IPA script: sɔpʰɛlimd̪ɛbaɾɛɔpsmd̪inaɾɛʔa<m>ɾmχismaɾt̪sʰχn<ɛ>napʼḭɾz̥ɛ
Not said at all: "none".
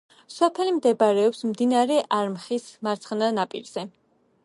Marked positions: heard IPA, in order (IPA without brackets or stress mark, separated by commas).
none, a